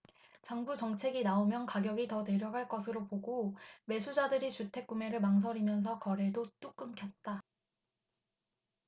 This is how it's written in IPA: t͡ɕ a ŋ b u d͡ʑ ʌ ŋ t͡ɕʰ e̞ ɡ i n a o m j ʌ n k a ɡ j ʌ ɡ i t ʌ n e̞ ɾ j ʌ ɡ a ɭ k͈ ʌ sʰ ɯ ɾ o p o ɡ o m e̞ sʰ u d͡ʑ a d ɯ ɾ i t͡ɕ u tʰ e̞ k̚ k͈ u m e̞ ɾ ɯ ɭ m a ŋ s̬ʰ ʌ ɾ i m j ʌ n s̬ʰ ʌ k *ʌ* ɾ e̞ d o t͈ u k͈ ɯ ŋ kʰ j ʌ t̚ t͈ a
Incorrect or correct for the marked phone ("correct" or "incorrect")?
correct